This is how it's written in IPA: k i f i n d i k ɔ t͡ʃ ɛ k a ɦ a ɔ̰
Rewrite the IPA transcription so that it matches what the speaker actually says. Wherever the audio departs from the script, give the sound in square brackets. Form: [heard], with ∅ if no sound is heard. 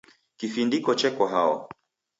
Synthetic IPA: k i f i n d i k ɔ t͡ʃ ɛ k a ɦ a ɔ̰